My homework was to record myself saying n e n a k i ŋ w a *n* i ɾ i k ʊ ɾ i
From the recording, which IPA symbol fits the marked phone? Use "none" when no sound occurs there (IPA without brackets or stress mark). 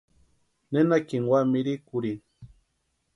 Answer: m